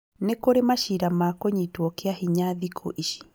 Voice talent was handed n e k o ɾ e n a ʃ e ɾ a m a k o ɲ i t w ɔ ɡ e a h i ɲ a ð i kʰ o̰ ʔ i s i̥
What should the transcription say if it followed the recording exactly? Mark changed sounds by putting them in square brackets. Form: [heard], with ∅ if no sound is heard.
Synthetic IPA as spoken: n e k o ɾ e [m] a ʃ [i] ɾ a m a k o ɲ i t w ɔ [k] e a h i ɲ a ð i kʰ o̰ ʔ i [ʃ] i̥